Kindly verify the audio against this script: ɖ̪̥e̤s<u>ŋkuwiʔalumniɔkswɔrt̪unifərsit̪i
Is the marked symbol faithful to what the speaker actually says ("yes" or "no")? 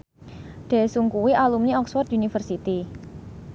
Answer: yes